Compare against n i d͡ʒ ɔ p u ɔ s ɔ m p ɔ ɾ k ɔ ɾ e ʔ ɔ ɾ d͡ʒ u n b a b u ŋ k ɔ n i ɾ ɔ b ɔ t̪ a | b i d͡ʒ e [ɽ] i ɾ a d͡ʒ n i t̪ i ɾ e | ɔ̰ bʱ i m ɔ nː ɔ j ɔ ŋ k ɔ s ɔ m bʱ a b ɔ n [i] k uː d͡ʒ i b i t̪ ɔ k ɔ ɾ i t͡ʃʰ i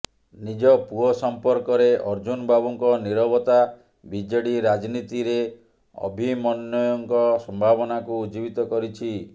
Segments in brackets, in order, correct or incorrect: correct, incorrect

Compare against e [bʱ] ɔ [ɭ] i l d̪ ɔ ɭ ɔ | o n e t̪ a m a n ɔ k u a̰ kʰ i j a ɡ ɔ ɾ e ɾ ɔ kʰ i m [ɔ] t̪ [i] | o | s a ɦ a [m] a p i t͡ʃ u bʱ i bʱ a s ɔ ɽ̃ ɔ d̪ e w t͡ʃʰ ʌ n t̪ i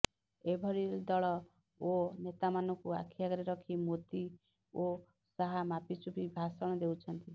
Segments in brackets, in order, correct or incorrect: correct, incorrect, incorrect, correct, correct

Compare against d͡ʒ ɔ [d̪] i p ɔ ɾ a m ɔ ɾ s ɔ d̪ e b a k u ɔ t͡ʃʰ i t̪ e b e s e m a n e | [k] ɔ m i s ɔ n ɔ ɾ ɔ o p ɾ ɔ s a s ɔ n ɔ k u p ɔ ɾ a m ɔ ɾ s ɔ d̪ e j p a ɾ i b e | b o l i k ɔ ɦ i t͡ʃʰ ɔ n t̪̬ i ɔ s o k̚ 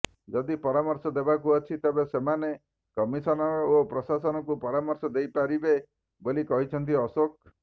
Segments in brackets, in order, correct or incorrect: correct, correct

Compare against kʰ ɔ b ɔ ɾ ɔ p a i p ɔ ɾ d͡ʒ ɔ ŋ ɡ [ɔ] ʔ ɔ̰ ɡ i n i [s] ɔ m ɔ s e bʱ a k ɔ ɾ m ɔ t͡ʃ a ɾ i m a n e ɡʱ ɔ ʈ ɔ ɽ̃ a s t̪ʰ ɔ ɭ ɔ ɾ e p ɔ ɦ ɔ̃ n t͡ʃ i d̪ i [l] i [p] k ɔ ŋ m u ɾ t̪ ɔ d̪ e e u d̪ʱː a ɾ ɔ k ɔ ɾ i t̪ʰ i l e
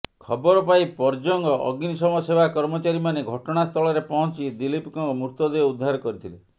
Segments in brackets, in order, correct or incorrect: correct, correct, correct, correct

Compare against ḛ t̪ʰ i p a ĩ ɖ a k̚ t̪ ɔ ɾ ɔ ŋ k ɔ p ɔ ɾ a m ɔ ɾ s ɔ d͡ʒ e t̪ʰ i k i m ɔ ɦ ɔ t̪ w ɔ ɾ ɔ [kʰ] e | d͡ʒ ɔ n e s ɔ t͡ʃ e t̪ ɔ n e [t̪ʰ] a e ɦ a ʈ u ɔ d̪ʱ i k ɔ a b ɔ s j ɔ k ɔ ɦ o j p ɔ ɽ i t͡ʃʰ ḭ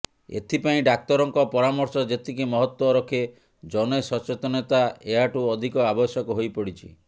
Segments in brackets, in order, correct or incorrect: correct, incorrect

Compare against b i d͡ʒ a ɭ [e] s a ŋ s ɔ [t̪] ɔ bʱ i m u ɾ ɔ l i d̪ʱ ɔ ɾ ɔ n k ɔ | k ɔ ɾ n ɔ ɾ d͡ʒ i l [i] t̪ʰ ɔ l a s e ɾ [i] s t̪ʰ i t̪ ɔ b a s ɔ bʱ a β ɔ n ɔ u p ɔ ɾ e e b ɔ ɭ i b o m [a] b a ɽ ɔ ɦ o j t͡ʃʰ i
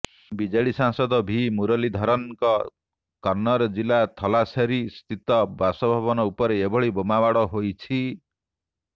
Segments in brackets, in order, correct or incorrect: incorrect, incorrect, incorrect, correct, correct

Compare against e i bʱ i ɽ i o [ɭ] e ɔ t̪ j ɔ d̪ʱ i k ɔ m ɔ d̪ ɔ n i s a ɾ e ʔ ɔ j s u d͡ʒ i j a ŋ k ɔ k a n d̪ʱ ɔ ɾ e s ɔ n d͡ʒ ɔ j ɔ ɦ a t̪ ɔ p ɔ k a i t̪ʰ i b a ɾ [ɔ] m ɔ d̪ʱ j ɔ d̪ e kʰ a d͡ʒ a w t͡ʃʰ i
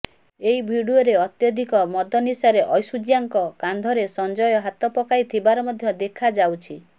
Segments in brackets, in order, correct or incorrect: incorrect, correct

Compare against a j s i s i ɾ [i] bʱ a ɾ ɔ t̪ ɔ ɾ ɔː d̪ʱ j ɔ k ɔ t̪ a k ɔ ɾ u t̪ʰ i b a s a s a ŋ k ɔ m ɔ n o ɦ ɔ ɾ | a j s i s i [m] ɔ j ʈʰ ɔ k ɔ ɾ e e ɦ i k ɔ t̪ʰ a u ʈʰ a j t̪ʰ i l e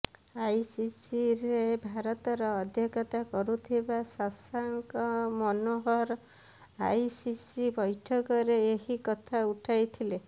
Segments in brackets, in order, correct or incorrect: incorrect, incorrect

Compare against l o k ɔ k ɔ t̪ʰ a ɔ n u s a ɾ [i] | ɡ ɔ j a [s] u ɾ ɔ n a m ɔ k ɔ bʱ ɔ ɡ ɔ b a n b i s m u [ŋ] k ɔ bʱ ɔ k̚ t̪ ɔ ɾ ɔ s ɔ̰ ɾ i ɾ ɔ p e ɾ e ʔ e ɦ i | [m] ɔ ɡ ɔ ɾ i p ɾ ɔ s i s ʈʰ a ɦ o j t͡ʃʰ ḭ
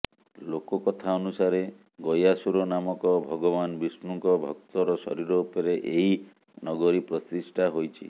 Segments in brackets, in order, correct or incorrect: incorrect, correct, correct, incorrect

